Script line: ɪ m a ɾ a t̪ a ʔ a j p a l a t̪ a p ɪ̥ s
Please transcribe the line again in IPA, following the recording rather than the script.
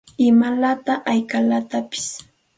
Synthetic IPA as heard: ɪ m a l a t̪ a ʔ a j k a l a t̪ a p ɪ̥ s